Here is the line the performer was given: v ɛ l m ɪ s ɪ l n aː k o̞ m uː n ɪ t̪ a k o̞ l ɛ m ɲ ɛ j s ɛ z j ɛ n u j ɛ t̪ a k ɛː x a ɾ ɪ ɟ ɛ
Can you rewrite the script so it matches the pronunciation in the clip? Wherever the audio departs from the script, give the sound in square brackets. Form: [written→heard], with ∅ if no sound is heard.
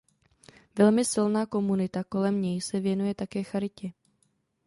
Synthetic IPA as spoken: v ɛ l m ɪ s ɪ l n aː k o̞ m [uː→u] n ɪ t̪ a k o̞ l ɛ m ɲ ɛ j s ɛ [z→v] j ɛ n u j ɛ t̪ a k ɛː x a ɾ ɪ [ɟ→c] ɛ